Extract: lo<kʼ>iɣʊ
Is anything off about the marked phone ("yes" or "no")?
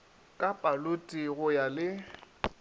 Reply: yes